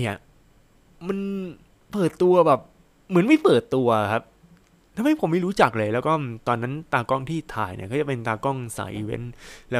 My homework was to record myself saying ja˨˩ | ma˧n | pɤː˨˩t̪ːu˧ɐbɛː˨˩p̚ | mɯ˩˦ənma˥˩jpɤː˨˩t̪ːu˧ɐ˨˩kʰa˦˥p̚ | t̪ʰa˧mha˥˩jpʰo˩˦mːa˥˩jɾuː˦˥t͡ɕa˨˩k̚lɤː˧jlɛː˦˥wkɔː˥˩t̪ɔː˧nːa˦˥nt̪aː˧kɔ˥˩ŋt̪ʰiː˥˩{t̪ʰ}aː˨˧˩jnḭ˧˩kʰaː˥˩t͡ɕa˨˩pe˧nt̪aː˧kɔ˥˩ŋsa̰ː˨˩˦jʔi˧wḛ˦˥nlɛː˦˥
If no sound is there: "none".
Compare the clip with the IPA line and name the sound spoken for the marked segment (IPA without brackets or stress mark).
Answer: t̪ʰ